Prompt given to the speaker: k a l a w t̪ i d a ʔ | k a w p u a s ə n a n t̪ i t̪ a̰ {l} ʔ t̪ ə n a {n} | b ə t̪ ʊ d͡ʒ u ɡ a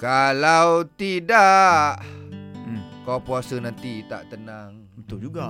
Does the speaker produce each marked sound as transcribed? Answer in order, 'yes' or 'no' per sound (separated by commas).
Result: no, no